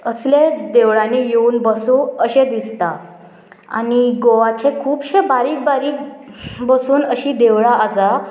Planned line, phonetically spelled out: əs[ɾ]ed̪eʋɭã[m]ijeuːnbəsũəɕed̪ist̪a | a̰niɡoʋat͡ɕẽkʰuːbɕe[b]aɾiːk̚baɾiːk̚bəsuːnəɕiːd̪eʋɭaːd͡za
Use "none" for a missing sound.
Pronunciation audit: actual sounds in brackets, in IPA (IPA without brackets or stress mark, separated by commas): l, n, b